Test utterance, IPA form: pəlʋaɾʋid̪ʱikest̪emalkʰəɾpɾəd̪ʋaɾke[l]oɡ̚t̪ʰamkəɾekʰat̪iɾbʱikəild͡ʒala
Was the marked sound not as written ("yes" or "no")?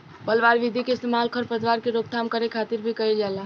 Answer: yes